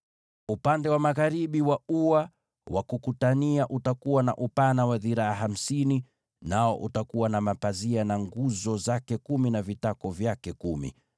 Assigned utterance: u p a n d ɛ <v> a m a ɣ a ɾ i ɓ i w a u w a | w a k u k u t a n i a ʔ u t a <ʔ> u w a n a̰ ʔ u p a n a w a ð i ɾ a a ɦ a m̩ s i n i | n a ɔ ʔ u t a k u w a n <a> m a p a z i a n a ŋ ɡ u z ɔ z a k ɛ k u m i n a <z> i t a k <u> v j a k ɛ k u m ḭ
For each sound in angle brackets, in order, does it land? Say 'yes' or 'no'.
no, no, yes, no, no

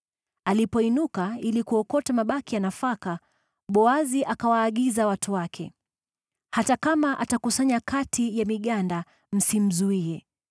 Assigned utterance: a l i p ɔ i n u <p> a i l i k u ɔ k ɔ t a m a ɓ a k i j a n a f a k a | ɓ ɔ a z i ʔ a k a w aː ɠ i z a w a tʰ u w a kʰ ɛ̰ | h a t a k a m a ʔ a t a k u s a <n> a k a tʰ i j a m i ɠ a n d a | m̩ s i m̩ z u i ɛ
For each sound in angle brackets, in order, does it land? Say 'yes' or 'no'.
no, no

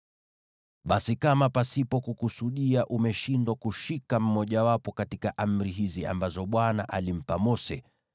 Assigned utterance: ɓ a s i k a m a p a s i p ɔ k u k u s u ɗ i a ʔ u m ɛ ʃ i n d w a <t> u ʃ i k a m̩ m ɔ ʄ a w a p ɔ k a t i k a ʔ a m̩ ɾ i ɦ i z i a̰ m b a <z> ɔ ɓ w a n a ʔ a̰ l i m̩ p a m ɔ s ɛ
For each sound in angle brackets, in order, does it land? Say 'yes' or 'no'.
no, yes

